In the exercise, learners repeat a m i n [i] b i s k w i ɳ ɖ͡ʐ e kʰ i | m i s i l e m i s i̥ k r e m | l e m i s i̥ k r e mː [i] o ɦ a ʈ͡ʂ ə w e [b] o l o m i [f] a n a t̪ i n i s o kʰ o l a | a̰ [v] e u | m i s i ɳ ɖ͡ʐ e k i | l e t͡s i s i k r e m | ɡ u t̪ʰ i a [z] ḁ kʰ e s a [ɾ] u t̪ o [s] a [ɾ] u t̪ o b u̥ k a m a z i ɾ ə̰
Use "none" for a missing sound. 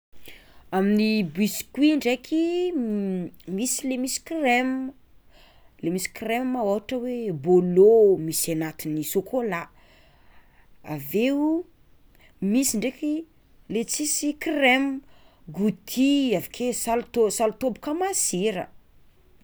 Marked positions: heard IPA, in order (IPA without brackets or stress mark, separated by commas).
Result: i, a, b, s, v, v, l, s, l